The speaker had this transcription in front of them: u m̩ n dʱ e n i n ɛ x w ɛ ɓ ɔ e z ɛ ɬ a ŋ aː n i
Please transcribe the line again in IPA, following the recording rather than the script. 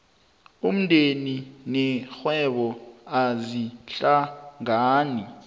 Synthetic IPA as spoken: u m̩ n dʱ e n i n ɛ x w ɛ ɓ ɔ a z i ɬ a ŋ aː n i

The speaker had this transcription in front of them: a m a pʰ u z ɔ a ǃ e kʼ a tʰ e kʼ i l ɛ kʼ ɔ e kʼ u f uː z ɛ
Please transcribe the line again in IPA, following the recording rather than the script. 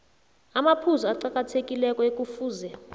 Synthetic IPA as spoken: a m a pʰ u z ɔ a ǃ a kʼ a tʰ e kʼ i l ɛ kʼ ɔ e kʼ u f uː z ɛ

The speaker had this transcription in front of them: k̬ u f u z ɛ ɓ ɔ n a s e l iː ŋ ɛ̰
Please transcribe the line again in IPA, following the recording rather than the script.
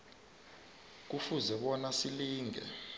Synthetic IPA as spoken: k̬ u f u z ɛ ɓ ɔ n a s i l iː ŋ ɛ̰

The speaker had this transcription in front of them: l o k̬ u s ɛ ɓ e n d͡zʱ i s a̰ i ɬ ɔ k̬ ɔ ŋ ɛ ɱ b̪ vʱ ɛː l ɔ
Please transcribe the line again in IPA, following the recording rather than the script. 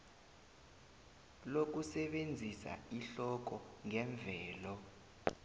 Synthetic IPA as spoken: l o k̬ u s ɛ ɓ e n d͡zʱ i s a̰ i ɬ ɔ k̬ ɔ ŋ ɛ ɱ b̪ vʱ ɛː l ɔ

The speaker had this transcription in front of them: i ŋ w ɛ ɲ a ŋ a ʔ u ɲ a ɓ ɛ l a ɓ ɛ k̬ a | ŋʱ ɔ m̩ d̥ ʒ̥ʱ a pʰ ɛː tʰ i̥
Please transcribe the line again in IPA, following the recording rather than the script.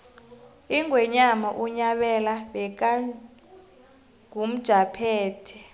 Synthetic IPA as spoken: i ŋ w ɛ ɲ a m a ʔ u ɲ a ɓ ɛ l a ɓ ɛ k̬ a | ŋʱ u m̩ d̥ ʒ̥ʱ a pʰ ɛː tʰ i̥

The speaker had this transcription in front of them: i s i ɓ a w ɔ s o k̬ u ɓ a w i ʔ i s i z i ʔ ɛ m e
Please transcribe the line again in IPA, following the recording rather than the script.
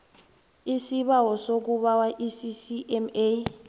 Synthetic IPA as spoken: i s i ɓ a w ɔ s o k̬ u ɓ a w a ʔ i s i s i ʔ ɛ m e

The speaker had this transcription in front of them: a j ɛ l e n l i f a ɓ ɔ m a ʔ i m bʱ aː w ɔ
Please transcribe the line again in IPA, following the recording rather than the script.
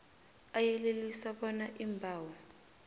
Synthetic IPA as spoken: a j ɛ l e l i s a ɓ ɔ n a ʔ i m bʱ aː w ɔ

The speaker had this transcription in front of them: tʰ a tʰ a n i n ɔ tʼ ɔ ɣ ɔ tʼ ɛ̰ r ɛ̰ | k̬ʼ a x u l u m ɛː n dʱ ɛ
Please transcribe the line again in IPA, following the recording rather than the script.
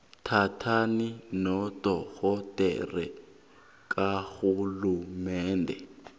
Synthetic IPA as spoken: tʰ a tʰ a n i n ɔ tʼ ɔ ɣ ɔ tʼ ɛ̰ r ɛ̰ | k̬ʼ a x u l u m ɛː n dʱ ɛ

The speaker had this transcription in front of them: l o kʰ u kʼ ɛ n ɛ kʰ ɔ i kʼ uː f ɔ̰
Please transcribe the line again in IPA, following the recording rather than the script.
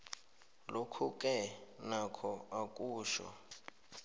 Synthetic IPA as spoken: l o kʰ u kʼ ɛ n a kʰ ɔ a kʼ uː ʃ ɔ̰

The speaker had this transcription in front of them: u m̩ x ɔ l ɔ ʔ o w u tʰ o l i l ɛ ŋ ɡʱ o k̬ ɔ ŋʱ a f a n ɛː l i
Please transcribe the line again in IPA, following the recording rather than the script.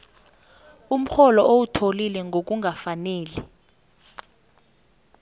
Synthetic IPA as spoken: u m̩ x ɔ l ɔ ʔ o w u tʰ o l i l ɛ ŋ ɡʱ o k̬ u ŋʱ a f a n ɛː l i

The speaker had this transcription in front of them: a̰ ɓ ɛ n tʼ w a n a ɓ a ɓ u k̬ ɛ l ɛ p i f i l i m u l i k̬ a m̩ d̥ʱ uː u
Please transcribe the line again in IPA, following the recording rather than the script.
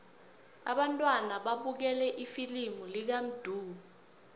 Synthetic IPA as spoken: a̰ ɓ a n tʼ w a n a ɓ a ɓ u k̬ ɛ l ɛ ʔ i f i l i m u l i k̬ a m̩ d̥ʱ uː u

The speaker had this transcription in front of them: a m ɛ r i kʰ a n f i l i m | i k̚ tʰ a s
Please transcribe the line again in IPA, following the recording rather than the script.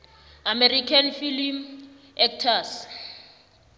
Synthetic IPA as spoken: a m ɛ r i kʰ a n f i l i m | ɛ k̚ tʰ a s

